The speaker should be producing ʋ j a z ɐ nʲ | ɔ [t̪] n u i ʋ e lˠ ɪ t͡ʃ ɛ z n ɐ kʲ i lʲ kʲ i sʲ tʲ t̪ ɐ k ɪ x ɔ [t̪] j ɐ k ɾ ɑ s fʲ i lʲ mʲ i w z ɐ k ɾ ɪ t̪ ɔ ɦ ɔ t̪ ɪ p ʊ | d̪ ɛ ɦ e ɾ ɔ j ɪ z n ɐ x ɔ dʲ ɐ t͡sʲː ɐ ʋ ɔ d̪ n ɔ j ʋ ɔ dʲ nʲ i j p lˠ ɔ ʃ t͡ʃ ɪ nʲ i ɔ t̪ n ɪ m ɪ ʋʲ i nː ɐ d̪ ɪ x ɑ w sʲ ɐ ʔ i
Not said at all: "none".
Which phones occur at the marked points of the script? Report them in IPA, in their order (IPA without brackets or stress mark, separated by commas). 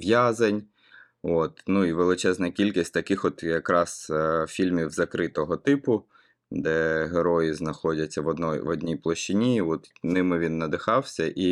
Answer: t̪, t̪